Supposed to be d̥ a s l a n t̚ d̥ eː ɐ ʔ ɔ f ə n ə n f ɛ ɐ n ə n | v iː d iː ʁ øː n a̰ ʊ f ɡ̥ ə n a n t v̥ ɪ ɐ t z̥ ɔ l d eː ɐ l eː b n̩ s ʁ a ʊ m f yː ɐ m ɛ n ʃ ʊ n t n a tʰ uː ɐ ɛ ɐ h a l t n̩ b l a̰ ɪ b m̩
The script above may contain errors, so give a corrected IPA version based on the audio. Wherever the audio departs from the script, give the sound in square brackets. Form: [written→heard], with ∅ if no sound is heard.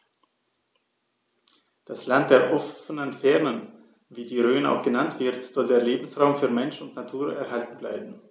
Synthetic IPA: d̥ a s l a n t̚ d̥ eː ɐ ʔ ɔ f ə n ə n f ɛ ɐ n ə n | v iː d iː ʁ øː n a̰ ʊ [f→x] ɡ̥ ə n a n t v̥ ɪ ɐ t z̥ ɔ l d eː ɐ l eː b [n̩→m̩] s ʁ a ʊ m f yː ɐ m ɛ n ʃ ʊ n t n a tʰ uː ɐ ɛ ɐ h a l t n̩ b l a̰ ɪ b m̩